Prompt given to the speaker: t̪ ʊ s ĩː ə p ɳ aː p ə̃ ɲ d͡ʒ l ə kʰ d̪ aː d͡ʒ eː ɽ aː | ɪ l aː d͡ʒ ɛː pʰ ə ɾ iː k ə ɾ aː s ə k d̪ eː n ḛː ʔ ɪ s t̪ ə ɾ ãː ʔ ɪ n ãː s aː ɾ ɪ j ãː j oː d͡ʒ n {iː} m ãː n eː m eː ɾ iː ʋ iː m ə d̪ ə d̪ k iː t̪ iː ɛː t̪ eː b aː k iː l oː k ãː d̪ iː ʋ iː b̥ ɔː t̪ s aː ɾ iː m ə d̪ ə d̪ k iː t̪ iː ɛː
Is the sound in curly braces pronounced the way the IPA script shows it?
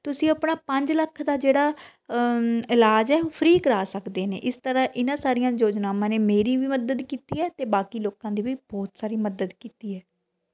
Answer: no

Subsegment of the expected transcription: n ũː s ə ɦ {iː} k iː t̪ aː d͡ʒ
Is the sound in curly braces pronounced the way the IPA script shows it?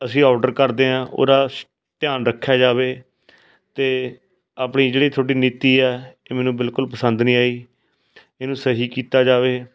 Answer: yes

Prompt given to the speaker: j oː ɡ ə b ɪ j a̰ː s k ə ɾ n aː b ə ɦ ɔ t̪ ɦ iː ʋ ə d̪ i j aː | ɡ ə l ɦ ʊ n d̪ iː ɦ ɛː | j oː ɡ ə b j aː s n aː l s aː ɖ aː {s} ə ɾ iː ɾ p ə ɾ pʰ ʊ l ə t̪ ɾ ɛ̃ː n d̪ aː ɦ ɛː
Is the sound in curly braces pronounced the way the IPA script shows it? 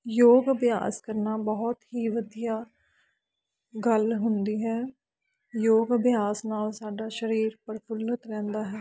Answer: no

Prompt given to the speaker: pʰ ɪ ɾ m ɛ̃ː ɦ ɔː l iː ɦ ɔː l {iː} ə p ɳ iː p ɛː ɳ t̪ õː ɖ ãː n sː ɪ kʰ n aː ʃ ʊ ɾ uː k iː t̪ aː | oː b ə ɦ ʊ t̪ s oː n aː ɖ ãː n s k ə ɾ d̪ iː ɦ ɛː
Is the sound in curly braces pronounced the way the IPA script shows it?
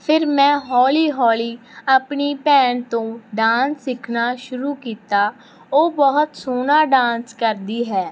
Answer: yes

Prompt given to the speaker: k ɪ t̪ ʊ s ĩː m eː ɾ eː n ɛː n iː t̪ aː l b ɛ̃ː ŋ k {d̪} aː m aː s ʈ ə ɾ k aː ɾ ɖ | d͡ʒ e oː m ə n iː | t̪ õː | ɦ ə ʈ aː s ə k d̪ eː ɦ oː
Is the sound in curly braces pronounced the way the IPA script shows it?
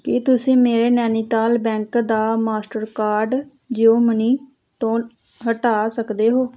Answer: yes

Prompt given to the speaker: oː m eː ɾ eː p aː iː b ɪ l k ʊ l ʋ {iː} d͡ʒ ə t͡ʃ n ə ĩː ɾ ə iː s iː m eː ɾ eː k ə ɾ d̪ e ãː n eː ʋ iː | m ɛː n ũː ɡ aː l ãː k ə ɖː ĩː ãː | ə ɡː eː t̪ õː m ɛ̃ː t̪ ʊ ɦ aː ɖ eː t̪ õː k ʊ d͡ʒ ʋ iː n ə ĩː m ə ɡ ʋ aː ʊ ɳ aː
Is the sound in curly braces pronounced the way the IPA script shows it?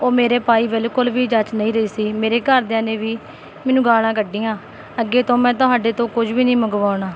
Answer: yes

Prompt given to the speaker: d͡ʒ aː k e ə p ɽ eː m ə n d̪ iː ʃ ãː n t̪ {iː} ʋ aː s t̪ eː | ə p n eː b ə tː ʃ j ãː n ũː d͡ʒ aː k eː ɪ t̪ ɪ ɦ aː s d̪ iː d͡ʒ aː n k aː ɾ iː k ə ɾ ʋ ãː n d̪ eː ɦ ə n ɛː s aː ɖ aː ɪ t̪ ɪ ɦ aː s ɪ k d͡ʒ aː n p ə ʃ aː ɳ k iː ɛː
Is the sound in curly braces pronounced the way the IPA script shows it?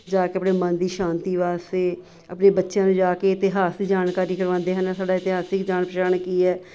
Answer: yes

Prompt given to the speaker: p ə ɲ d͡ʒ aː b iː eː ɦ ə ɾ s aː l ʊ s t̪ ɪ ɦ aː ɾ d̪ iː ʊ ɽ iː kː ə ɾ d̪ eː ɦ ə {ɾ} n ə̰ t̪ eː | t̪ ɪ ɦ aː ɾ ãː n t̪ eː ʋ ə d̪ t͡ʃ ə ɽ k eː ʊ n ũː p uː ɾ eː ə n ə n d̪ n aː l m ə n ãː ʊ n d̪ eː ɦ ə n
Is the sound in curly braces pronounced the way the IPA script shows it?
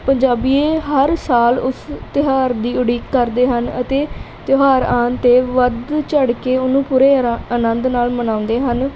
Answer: no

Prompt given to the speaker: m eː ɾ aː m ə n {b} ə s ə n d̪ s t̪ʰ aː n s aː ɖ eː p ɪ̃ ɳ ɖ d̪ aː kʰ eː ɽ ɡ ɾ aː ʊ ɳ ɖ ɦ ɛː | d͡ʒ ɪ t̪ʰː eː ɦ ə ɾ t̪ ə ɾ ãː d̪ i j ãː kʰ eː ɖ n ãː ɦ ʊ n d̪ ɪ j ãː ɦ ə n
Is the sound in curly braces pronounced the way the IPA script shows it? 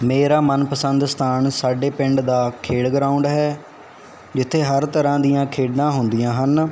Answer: no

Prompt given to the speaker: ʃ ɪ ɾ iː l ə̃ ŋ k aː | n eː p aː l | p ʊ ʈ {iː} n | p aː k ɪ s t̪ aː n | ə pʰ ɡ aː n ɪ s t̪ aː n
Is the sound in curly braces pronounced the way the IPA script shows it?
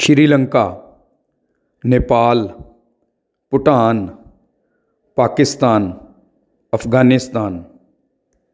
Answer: no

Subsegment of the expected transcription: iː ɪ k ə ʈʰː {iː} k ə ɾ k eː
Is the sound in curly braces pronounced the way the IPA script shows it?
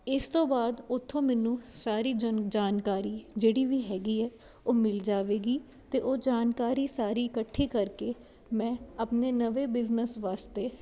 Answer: yes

